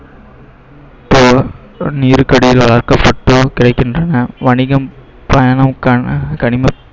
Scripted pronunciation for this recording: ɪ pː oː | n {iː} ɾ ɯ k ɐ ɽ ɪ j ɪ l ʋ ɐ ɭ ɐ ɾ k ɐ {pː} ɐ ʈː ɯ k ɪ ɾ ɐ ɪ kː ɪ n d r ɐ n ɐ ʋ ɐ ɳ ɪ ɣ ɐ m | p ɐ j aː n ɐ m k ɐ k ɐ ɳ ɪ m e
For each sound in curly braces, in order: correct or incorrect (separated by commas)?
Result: correct, correct